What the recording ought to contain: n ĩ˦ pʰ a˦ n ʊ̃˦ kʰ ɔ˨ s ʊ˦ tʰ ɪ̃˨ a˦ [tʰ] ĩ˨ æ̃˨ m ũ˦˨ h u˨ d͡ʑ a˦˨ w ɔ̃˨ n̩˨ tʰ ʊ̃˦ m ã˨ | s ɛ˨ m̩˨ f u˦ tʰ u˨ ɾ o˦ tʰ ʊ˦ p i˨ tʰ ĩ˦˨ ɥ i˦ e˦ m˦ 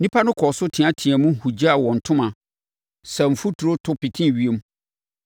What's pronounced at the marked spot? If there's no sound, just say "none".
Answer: tʰ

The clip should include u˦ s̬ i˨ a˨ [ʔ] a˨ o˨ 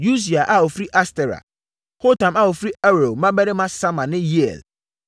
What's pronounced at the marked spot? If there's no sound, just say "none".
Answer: ʔ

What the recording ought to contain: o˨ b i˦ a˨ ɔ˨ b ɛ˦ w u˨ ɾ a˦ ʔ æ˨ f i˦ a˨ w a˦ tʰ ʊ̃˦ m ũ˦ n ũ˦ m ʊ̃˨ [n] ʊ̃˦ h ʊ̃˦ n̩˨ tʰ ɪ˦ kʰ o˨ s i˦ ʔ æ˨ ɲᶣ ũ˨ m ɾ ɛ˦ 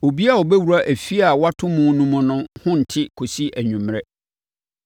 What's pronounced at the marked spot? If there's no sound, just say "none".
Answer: n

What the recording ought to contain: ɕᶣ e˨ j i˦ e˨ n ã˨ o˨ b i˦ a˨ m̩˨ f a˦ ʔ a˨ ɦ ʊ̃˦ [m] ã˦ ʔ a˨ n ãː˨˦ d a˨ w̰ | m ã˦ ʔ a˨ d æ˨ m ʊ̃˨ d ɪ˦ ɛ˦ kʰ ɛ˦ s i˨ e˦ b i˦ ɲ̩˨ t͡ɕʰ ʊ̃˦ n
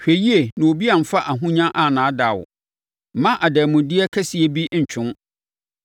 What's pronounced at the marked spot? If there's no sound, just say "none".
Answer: ɲ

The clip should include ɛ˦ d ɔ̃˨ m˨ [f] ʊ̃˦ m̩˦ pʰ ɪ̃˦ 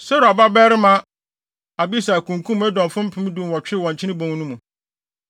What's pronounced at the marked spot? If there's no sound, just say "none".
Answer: f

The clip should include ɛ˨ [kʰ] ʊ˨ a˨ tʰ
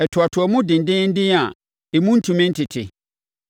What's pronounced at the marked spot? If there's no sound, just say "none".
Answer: tʰ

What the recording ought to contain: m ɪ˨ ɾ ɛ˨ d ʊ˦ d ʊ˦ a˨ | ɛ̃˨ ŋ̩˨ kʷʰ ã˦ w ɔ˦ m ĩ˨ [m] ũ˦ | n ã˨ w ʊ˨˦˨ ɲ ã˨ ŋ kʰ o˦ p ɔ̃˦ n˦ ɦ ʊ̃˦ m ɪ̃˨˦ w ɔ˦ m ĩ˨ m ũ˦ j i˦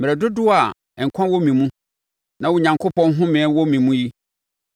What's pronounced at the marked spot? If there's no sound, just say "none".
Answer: m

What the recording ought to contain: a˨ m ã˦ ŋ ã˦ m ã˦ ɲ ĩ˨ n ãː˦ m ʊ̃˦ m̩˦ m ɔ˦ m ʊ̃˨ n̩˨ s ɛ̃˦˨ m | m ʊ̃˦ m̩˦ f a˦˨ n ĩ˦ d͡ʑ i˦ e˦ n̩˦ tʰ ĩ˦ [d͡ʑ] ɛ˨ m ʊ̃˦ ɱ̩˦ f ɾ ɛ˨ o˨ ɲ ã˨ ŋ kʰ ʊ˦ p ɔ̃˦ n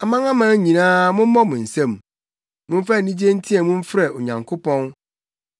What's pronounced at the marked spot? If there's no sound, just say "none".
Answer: none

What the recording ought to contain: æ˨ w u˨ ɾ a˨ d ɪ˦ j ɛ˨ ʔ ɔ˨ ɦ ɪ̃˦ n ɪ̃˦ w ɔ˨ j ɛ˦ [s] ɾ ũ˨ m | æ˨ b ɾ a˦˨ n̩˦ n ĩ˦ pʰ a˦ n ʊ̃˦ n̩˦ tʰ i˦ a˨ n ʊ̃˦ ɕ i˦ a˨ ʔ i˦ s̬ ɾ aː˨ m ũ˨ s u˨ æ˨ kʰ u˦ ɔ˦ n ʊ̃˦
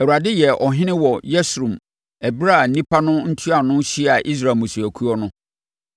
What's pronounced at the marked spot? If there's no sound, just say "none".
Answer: s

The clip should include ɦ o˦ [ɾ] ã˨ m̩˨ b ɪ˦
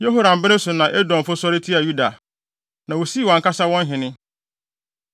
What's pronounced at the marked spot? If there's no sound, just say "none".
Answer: ɾ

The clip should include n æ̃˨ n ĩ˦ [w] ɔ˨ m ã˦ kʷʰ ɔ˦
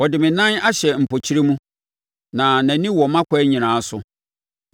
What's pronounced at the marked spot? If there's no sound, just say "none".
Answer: w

